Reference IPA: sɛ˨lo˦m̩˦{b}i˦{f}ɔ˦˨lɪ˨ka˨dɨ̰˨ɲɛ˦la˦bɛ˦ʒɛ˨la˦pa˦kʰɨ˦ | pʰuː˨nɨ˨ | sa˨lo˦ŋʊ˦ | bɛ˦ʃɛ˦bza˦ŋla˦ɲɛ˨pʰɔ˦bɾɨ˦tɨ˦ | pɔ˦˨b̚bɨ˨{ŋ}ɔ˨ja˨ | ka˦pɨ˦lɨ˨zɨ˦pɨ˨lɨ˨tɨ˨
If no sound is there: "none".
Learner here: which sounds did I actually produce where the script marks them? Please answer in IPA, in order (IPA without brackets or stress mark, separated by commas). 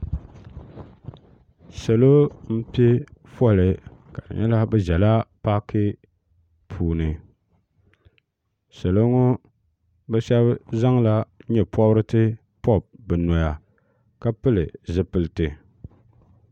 p, f, n